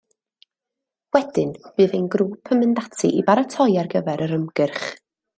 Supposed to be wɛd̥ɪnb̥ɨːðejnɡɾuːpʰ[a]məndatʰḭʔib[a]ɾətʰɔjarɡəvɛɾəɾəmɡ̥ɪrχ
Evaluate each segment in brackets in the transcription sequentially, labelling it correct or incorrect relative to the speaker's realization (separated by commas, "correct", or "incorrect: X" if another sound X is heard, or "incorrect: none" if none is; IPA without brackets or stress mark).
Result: incorrect: ə, correct